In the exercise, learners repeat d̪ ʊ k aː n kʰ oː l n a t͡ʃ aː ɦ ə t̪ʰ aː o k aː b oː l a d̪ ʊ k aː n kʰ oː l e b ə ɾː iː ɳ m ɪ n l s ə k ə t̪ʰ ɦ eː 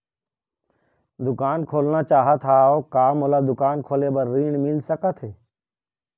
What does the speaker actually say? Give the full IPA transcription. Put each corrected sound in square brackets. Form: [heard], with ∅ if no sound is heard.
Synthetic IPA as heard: d̪ ʊ k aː n kʰ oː l n a t͡ʃ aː ɦ ə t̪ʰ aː o k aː [m] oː l a d̪ ʊ k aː n kʰ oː l e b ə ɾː iː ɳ m ɪ [∅] l s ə k ə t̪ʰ ɦ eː